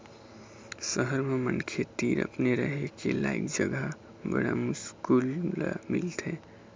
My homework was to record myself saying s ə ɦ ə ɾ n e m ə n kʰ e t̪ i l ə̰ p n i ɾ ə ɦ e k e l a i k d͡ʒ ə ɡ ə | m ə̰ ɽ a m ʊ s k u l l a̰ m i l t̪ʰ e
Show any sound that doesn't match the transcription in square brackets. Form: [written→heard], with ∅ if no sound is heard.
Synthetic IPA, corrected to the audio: s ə ɦ ə ɾ [n→m] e m ə n kʰ e t̪ i [l→ɾ] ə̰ p n [i→e] ɾ ə ɦ e k e l a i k d͡ʒ ə ɡ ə | [m→b] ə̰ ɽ a m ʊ s k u l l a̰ m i l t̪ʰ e